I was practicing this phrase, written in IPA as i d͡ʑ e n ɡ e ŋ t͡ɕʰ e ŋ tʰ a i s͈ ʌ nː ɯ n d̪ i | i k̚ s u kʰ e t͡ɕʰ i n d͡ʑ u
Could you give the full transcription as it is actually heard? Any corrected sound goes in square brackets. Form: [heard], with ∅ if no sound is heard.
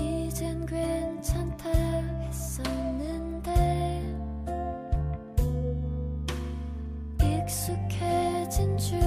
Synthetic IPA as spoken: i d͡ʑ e n ɡ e [n] t͡ɕʰ [a] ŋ tʰ a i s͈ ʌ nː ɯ n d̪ [e] | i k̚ s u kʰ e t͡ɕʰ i n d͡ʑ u